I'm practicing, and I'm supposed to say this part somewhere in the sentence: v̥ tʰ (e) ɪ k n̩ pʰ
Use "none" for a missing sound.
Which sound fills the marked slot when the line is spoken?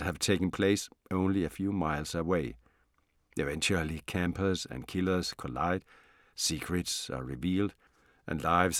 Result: e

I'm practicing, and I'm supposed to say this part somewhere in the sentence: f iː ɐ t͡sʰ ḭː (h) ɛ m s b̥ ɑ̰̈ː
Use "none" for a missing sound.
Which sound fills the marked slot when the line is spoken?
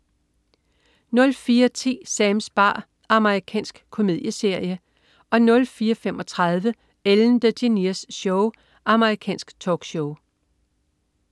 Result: s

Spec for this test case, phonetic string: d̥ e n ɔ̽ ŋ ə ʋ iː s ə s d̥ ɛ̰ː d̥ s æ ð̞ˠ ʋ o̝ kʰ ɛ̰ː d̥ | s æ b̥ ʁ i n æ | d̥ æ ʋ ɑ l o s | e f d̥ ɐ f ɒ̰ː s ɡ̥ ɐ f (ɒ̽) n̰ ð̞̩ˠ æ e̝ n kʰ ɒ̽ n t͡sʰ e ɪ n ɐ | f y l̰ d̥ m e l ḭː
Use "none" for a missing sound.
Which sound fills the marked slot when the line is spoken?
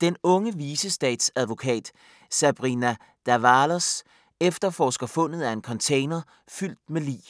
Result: ɔ̽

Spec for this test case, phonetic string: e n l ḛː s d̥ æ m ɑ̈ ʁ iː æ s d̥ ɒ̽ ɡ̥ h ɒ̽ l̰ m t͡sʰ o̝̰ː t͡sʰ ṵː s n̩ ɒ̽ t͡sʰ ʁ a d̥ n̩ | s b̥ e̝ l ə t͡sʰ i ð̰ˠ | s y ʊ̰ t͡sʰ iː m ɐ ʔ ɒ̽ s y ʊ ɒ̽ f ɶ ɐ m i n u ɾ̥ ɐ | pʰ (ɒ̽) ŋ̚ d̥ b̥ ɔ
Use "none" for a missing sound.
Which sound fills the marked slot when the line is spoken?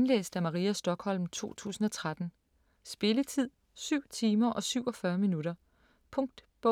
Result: ɔ̽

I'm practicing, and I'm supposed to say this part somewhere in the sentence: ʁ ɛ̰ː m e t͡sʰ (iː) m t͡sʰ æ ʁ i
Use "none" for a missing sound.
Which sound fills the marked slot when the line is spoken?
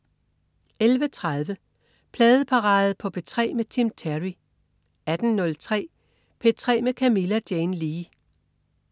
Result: i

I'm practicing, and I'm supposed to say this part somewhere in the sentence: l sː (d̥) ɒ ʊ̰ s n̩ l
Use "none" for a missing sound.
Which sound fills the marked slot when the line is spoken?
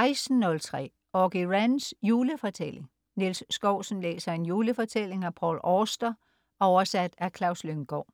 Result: ɡ̥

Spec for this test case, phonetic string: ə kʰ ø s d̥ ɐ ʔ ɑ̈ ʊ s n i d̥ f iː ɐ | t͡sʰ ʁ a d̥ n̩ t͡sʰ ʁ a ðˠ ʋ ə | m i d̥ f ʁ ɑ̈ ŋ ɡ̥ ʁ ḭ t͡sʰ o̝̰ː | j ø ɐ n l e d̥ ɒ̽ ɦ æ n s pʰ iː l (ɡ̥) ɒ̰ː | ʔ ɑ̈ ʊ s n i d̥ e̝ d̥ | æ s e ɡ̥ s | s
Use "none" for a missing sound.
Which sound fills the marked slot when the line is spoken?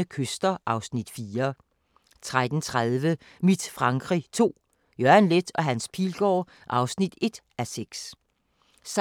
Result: ɡ̥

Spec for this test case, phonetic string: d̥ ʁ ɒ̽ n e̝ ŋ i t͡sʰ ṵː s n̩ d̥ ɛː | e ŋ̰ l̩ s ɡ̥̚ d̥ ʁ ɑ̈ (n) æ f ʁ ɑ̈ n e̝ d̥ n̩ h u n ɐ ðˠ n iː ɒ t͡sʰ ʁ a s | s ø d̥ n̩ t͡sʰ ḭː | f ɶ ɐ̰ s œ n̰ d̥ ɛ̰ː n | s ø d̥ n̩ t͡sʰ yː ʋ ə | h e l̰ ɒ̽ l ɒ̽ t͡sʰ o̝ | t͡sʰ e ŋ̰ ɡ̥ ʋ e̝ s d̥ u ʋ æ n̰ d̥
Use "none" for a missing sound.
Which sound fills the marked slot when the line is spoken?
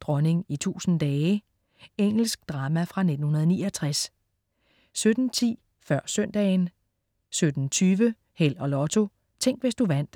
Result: m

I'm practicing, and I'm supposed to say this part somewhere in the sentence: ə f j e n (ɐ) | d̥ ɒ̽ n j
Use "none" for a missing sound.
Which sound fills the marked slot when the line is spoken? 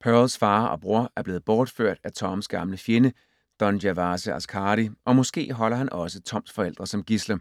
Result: ə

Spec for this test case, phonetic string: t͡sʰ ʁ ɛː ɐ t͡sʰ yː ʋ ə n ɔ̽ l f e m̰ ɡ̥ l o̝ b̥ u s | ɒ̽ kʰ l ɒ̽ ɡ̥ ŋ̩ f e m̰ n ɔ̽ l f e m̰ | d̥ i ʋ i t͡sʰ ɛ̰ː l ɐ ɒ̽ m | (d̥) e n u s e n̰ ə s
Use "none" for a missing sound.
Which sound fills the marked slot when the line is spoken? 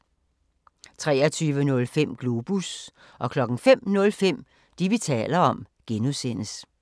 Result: ɡ̥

